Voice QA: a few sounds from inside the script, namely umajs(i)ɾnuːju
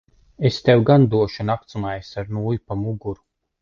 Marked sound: incorrect: a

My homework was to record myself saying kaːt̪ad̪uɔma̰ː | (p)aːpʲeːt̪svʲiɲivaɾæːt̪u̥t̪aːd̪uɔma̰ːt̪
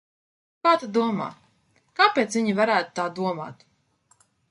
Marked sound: incorrect: k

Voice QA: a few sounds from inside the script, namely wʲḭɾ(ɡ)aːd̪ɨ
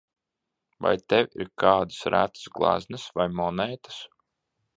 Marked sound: incorrect: k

